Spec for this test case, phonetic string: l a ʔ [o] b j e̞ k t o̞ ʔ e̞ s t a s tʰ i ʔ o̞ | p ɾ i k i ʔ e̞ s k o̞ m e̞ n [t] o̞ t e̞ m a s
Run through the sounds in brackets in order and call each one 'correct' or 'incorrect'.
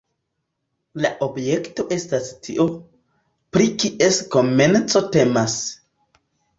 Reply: correct, incorrect: t͡s

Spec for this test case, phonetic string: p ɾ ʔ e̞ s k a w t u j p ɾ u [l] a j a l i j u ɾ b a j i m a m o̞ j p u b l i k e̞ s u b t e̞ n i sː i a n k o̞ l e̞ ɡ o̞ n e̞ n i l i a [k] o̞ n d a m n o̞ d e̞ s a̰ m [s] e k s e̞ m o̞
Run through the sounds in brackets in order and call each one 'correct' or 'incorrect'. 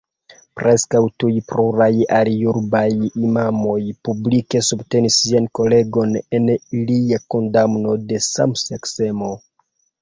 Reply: incorrect: ɾ, correct, correct

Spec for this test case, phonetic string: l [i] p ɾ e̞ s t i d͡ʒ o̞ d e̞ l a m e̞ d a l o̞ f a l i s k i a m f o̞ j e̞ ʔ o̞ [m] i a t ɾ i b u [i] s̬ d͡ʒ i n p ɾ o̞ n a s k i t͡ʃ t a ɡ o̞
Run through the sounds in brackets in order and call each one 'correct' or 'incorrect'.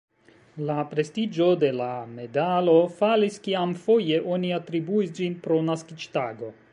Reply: incorrect: a, incorrect: n, correct

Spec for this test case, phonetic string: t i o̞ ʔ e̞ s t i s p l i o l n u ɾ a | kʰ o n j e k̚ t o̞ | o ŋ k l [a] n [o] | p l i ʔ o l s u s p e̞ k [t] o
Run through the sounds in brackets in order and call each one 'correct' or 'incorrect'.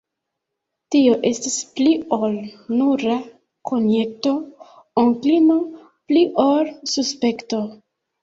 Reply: incorrect: i, correct, correct

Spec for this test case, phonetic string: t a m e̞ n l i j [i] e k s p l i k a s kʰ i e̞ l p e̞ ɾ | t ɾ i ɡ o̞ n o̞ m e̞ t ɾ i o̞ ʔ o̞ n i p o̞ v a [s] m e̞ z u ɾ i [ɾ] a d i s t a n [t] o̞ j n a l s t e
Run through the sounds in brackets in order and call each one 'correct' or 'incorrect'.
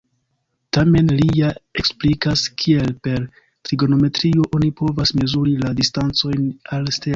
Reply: incorrect: a, correct, incorrect: l, incorrect: t͡s

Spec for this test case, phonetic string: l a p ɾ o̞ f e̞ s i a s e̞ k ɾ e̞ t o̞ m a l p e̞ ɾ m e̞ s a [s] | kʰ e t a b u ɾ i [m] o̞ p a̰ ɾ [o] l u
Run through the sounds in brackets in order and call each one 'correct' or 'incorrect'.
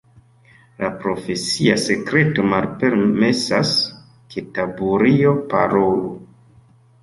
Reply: correct, incorrect: none, correct

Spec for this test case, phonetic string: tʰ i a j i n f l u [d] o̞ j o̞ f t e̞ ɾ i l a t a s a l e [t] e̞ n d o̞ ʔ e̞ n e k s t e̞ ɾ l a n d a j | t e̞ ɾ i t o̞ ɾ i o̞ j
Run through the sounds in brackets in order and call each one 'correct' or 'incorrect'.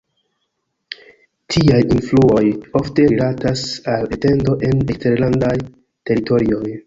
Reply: incorrect: none, correct

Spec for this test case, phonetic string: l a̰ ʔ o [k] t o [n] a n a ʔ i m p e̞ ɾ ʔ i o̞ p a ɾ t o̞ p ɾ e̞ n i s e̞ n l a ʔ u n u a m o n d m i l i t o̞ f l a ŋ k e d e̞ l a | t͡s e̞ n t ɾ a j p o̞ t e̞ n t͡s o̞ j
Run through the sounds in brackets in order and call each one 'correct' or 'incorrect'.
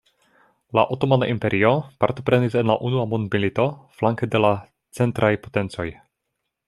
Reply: incorrect: none, incorrect: m

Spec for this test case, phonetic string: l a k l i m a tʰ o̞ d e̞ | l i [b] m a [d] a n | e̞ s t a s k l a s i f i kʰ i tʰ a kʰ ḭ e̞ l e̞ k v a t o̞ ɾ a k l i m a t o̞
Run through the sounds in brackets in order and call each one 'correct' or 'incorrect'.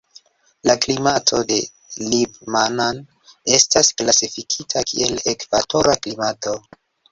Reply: correct, incorrect: n

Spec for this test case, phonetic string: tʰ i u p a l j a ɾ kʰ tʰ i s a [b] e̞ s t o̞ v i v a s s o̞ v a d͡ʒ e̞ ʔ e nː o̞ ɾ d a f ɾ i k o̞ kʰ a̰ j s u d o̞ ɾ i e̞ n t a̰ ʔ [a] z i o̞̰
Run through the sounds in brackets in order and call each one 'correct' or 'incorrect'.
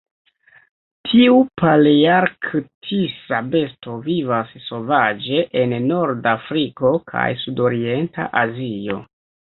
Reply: correct, correct

